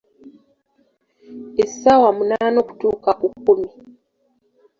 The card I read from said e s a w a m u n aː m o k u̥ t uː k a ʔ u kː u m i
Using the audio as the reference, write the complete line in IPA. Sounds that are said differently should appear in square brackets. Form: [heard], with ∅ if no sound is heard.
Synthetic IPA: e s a w a m u n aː [n] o k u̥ t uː k a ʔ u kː u m i